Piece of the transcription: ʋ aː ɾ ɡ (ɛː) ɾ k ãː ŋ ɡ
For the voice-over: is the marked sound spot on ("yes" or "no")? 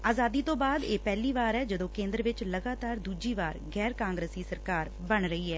yes